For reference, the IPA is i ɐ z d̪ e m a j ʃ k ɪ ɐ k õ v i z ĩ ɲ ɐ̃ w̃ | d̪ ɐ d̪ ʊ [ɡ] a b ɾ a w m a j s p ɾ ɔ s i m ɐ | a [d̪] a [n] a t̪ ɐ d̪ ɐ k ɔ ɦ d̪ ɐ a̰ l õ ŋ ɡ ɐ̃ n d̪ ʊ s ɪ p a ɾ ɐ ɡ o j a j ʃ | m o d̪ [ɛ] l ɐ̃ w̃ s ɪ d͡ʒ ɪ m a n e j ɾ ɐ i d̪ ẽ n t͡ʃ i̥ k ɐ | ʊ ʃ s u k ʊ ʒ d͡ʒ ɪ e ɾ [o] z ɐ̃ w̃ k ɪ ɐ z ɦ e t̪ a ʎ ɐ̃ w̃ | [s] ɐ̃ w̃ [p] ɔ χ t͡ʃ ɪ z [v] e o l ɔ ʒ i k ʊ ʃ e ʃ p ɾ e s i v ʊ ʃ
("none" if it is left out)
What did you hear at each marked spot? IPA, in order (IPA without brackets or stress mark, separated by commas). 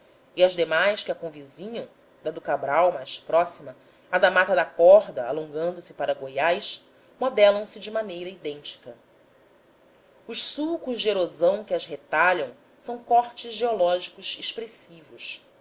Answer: k, d̪, m, ɛ, o, s, k, ʒ